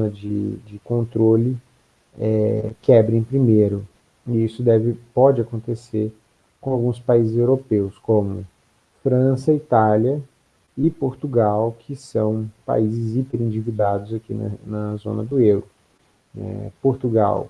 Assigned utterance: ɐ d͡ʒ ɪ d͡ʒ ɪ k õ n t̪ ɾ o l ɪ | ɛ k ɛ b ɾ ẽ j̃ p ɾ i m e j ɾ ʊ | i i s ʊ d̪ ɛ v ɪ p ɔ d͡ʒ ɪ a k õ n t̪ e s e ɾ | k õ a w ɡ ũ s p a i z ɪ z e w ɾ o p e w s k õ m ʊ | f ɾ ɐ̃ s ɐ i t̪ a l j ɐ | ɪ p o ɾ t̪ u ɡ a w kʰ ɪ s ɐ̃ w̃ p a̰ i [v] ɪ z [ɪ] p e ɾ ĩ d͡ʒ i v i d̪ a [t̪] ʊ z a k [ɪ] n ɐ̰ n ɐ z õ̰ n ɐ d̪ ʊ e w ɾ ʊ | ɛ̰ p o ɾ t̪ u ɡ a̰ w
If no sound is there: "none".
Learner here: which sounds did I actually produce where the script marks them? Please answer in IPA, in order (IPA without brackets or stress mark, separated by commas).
z, i, d̪, i